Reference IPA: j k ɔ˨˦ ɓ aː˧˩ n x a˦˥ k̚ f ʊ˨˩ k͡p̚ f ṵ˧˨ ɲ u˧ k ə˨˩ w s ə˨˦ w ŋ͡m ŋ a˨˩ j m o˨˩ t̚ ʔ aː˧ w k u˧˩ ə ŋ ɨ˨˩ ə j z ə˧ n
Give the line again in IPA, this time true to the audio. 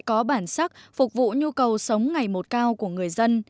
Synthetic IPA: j k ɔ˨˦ ɓ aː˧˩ n s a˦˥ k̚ f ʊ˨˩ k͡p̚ v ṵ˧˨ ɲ u˧ k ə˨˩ w s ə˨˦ w ŋ͡m ŋ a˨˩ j m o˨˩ t̚ k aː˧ w k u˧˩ ə ŋ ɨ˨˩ ə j z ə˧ n